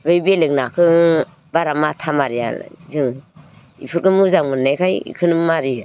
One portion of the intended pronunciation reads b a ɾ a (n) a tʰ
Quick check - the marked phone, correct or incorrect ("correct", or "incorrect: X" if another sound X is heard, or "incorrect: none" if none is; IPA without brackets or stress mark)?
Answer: incorrect: m